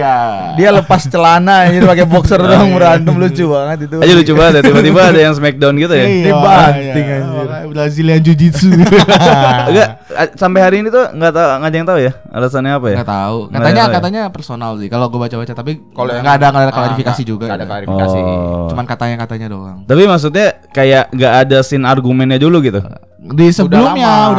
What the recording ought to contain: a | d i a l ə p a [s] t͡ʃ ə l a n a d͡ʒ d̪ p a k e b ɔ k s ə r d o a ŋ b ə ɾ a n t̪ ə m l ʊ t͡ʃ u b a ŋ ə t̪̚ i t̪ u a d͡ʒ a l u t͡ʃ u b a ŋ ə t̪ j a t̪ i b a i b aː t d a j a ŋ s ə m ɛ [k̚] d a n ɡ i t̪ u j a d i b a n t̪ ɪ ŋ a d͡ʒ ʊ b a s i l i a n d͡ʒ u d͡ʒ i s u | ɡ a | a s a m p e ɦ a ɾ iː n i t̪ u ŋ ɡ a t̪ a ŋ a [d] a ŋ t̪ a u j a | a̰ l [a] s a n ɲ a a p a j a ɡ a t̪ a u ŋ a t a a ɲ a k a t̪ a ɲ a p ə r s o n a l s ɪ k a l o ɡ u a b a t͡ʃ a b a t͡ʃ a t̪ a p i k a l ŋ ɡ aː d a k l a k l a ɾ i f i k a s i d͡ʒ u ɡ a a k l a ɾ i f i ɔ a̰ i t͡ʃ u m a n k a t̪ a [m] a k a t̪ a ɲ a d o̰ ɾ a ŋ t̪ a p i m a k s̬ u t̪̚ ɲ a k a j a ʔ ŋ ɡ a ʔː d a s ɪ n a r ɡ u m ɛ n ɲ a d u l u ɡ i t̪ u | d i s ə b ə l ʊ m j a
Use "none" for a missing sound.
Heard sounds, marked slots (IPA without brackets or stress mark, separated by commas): s, k̚, d͡ʒ, a, ɲ